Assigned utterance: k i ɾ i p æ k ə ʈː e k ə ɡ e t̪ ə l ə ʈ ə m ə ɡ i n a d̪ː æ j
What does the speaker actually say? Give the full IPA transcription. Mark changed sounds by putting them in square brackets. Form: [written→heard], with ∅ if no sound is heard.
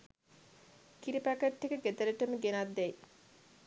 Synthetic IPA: k i ɾ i p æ k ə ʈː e k ə ɡ e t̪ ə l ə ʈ ə m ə ɡ [i→e] n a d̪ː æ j